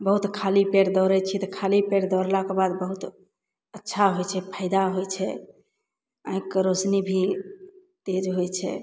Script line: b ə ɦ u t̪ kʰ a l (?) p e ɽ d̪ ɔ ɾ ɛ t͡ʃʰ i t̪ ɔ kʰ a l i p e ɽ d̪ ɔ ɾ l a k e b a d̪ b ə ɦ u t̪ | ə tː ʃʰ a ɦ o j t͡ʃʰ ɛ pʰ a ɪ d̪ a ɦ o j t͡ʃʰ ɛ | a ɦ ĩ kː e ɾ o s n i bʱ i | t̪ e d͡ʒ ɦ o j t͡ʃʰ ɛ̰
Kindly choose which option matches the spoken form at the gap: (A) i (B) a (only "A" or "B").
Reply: A